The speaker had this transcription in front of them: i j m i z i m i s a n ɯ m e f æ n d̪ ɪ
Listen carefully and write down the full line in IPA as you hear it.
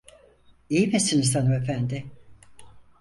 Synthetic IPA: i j m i s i n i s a n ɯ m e f æ n d̪ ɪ